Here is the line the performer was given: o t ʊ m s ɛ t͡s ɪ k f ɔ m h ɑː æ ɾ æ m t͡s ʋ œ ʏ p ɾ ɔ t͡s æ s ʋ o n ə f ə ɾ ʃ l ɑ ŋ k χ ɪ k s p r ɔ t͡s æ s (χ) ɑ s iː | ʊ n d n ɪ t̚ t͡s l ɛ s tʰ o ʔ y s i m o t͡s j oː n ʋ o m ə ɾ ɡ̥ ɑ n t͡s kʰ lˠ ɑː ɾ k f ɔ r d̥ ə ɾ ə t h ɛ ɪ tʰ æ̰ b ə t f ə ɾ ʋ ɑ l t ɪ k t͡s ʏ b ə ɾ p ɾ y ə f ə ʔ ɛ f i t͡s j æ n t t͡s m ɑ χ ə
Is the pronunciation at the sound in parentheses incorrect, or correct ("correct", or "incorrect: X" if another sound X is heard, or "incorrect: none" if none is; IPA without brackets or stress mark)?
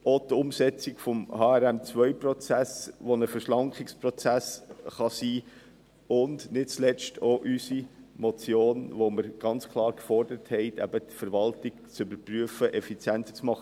correct